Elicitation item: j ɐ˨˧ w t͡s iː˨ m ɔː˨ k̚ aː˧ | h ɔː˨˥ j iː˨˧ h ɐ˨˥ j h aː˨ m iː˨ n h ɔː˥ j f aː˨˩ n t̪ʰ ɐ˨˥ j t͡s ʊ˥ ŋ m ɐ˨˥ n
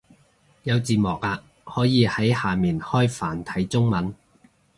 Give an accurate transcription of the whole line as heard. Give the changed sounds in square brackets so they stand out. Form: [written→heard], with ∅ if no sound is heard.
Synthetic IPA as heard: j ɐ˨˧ w t͡s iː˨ m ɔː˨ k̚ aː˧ | h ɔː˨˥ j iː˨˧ h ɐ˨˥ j h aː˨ m iː˨ n h ɔː˥ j f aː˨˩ n t̪ʰ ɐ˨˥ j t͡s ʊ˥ ŋ m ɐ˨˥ n